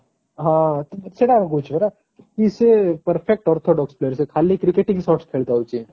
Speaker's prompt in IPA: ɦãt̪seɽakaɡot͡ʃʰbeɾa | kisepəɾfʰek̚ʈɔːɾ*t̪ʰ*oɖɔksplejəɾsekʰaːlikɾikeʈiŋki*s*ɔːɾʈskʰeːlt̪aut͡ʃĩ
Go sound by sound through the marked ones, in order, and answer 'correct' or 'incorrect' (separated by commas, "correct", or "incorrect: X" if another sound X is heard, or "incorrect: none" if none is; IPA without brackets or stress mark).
correct, correct